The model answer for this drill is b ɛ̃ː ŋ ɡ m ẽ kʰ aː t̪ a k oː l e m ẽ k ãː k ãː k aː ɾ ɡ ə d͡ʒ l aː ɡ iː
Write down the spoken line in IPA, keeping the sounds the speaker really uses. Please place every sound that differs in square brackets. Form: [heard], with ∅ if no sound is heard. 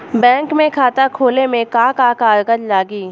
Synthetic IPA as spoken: b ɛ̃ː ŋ [k] m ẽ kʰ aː t̪ a [kʰ] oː l e m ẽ k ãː k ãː k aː ɾ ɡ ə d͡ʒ l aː ɡ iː